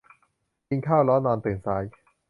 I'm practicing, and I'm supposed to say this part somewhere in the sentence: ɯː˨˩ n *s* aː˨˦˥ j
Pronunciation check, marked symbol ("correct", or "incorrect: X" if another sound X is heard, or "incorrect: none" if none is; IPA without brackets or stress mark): correct